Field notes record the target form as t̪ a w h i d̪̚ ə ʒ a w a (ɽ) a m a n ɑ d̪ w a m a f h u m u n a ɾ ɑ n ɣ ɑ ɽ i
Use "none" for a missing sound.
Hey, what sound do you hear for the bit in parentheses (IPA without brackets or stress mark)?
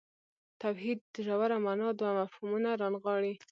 ɾ